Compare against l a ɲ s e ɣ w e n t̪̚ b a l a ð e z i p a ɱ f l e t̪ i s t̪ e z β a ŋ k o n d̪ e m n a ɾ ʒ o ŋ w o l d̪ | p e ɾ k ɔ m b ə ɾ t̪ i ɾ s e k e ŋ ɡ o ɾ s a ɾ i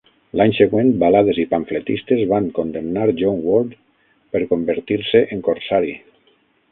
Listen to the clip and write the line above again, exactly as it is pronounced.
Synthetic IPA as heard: l a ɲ s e ɣ w e n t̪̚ b a l a ð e z i p a ɱ f l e t̪ i s t̪ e z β a ŋ k o n d̪ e m n a ɾ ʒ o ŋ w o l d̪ | p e ɾ k o m b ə ɾ t̪ i ɾ s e ʔ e ŋ k o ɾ s a ɾ i

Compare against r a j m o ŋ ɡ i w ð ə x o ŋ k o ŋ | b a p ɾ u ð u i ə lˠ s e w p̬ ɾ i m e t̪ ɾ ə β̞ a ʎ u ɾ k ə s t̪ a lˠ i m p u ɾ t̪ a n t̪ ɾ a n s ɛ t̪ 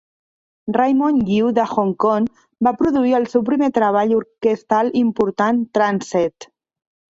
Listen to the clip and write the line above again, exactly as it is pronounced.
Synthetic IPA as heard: r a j m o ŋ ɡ i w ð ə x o ŋ k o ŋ | b a p ɾ u ð u i ə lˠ s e w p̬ ɾ i m e t̪ ɾ ə β̞ a ʎ u ɾ k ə s t̪ a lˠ i m p u ɾ t̪ a n t̪ ɾ a n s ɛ t̪

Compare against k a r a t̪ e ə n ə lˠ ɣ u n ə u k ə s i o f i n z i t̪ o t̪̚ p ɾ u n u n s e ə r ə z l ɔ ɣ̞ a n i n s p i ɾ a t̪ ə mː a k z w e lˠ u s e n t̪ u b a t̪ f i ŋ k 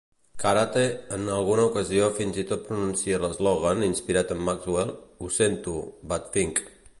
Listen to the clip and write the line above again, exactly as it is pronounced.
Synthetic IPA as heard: k a ɾ a t̪ e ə n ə lˠ ɣ u n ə u k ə z i o f i n z i t̪ o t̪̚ p ɾ u n u n s i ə l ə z l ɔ ɣ̞ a n i n s p i ɾ a t̪ ə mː a k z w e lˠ u s e n t̪ u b a t̪ f i ŋ k

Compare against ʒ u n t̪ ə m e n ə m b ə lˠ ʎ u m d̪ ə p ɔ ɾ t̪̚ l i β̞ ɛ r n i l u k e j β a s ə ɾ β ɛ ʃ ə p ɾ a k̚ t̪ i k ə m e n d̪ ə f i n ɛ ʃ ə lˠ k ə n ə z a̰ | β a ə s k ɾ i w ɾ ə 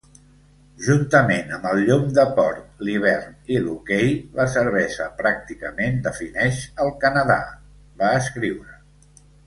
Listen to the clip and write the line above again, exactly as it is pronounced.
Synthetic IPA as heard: ʒ u n t̪ ə m e n ə m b ə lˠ ʎ u m d̪ ə p ɔ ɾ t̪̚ l i β̞ ɛ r n i l u k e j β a s ə ɾ β ɛ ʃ ə p ɾ a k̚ t̪ i k ə m e n d̪ ə f i n ɛ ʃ ə lˠ k ə n ə ð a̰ | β a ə s k ɾ i w ɾ ə

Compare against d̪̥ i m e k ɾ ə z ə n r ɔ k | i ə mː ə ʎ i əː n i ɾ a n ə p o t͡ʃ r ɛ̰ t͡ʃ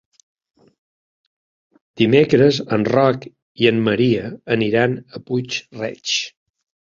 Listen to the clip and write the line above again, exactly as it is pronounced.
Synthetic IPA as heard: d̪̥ i m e k ɾ ə z ə n r ɔ k | i ə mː ə ɾ i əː n i ɾ a n ə p u t͡ʃ r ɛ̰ t͡ʃ

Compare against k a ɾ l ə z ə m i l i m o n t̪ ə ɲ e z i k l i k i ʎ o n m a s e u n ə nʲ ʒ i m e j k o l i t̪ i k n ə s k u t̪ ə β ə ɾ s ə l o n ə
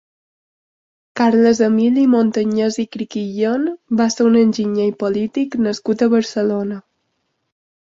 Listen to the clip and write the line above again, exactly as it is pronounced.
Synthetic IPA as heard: k a ɾ l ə z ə m i l i m o n t̪ ə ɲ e z i k ɾ i k i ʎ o n b a s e u n ə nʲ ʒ i ɲ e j p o l i t̪ i k n ə s k u t̪ ə β ə ɾ s ə l o n ə

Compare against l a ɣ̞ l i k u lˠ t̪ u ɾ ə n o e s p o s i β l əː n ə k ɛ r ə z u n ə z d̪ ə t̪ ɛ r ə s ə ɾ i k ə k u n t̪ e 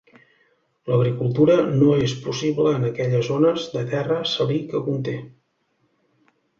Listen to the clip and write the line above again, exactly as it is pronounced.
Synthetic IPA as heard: l ə ɣ̞ ɾ i k u lˠ t̪ u ɾ ə n o e s p u s i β l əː n ə k ɛ ʎ ə z o n ə z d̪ ə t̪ ɛ r ə s ə l i k ə k u n t̪ e

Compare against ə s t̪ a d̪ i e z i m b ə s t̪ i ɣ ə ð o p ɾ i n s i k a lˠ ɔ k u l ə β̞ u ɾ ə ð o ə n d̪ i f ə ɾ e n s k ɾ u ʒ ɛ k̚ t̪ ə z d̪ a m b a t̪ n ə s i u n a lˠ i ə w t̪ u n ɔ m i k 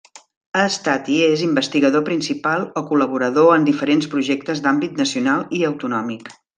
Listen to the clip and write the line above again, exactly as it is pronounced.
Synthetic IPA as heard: ə s t̪ a t̪ i e z i m b ə s t̪ i ɣ ə ð o p ɾ i n s i p a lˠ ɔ k u l ə β̞ u ɾ ə ð o ə n d̪ i f ə ɾ e n s p ɾ u ʒ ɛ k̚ t̪ ə z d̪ a m b i t̪ n ə s i u n a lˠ i ə w t̪ u n ɔ m i k

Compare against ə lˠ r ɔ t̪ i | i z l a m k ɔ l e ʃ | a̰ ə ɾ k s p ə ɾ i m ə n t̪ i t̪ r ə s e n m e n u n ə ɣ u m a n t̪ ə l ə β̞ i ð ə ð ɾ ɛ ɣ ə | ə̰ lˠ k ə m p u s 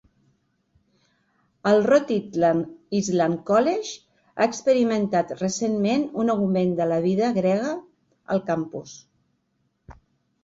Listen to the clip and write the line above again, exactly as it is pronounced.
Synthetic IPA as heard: ə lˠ r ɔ t̪ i | i z l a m k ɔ l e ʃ | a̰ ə k s p ə ɾ i m ə n t̪ a t̪ r ə s e n m e n u n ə ɣ u m e n d̪ ə l ə β̞ i ð ə ɣ ɾ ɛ ɣ ə | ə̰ lˠ k a m p u s

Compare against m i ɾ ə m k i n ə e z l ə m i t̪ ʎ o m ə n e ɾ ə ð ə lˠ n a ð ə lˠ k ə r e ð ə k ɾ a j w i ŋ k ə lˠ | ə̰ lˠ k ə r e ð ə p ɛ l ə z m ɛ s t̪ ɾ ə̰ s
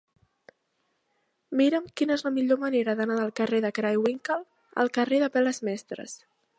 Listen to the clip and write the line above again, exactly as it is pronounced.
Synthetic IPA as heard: m i ɾ ə m k i n ə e z l ə m i ʎ o m ə n e ɾ ə ð ə n a ð ə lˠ k ə r e ð ə k ɾ a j w i ŋ k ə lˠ | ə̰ lˠ k ə r e ð ə p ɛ l ə z m ɛ s t̪ ɾ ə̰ s

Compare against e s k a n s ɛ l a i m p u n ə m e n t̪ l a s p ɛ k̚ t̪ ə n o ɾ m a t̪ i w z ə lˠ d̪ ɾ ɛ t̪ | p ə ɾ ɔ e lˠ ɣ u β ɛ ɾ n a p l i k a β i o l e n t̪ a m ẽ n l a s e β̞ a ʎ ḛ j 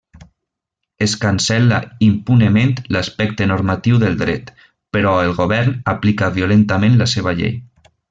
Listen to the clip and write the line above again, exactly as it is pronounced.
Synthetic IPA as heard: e s k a n s ɛ l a i m p u n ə m e n t̪ l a s p ɛ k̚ t̪ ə n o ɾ m a t̪ i w ð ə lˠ d̪ ɾ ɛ t̪ | p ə ɾ ɔ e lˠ ɣ o β ɛ ɾ n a p l i k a β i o l e n t̪ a m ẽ n l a s e β̞ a ʎ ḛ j

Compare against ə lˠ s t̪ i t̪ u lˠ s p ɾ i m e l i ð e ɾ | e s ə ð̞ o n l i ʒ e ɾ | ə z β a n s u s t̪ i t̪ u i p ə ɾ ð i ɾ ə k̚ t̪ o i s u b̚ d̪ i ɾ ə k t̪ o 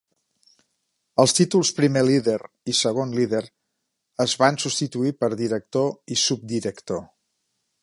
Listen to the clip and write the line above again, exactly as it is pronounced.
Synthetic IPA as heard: ə lˠ s t̪ i t̪ u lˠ s p ɾ i m e l i ð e ɾ | i s ə ɣ̞ o n l i ð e ɾ | ə z β a n s u s t̪ i t̪ u i p ə ɾ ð i ɾ ə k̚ t̪ o i s u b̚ d̪ i ɾ ə k t̪ o

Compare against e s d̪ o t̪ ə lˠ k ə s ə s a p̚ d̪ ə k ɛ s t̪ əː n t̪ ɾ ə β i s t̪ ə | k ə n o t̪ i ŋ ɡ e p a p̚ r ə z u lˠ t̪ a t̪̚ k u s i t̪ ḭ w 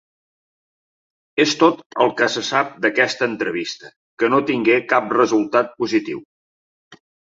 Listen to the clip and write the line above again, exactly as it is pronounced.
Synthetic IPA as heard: e s t̪ o t̪ ə lˠ k ə s ə s a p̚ d̪ ə k ɛ s t̪ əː n t̪ ɾ ə β i s t̪ ə | k ə n o t̪ i ŋ ɡ e k a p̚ r ə z u lˠ t̪ a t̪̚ p u z i t̪ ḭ w

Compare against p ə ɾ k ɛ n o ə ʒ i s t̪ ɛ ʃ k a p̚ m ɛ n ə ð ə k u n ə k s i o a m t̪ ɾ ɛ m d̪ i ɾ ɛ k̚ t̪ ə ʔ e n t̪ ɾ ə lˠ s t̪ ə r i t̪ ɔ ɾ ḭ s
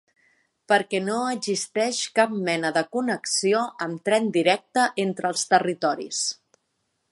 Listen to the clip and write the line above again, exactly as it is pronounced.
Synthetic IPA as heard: p ə ɾ k ɛ n o ə z i s t̪ ɛ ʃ k a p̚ m ɛ n ə ð ə k u n ə k s i o ə m t̪ ɾ ɛ n d̪ i ɾ ɛ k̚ t̪ ə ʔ e n t̪ ɾ ə lˠ s t̪ ə r i t̪ ɔ ɾ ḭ s

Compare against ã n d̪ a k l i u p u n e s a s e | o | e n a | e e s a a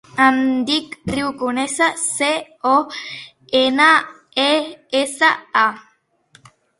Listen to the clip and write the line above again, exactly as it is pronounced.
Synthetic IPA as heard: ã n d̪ i k r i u k u n e s a s e | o | e n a | e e s a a

